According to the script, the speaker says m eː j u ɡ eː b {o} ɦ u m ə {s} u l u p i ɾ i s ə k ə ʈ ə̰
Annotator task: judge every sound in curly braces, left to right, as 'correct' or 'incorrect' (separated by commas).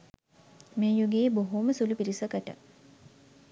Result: correct, correct